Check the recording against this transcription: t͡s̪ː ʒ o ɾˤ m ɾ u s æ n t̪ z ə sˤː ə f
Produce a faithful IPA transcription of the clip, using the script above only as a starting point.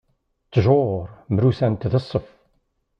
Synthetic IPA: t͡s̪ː ʒ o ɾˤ m ɾ u s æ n t̪ ð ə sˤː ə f